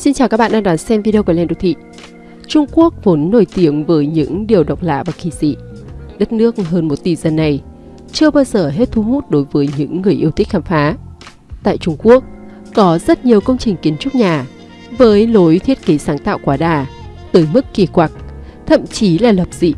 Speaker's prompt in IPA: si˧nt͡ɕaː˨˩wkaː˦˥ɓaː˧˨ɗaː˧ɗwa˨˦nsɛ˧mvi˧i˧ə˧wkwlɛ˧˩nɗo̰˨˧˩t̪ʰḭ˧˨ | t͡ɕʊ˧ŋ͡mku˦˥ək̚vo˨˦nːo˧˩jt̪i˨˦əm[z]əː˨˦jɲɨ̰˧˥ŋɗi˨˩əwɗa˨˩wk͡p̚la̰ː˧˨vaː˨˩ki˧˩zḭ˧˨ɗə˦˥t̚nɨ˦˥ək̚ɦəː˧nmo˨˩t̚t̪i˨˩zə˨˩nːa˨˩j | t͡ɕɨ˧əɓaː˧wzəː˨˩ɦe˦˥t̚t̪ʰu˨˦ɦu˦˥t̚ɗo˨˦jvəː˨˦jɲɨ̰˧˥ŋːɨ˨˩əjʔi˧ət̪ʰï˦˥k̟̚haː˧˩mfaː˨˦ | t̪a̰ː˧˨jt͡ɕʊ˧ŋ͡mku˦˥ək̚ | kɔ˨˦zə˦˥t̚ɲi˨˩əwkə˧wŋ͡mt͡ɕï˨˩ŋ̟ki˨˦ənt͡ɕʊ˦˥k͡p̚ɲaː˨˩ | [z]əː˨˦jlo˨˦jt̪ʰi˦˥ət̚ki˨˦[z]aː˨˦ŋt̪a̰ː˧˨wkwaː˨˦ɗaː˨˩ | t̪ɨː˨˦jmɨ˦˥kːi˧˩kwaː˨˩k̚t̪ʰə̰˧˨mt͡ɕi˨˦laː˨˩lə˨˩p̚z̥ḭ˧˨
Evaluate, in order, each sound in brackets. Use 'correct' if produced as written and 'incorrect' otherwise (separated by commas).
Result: incorrect, incorrect, incorrect